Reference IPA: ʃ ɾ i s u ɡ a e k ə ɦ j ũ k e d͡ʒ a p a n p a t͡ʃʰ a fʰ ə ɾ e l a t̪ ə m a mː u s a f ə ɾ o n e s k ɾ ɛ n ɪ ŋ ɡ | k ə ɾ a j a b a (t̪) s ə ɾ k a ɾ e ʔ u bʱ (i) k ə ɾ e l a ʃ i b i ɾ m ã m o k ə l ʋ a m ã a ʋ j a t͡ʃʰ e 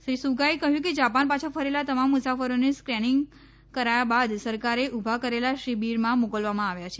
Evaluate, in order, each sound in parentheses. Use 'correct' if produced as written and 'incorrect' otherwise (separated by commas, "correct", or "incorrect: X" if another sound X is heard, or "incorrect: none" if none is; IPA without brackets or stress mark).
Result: incorrect: d̪, incorrect: a